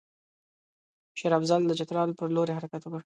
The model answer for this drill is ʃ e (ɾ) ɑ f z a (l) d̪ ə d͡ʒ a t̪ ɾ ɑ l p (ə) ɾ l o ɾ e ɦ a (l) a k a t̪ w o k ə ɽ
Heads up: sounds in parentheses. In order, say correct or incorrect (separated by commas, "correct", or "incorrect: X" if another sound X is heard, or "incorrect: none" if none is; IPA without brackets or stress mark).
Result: correct, correct, correct, incorrect: ɾ